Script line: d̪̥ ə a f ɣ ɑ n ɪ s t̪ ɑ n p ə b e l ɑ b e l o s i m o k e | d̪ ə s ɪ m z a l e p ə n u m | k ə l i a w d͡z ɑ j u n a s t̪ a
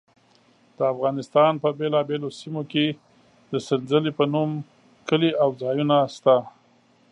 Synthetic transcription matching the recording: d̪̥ ə a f ɣ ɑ n ɪ s t̪ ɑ n p ə b e l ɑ b e l o s i m o k e | d̪ ə s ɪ n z ə l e p ə n u m | k ə l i a w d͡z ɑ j u n a s t̪ a